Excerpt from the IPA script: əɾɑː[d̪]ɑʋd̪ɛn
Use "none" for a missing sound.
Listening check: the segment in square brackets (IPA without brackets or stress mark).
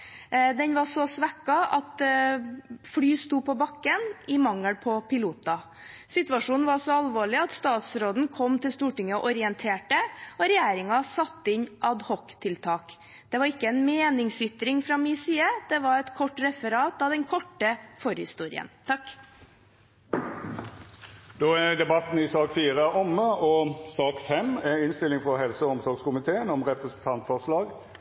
t̪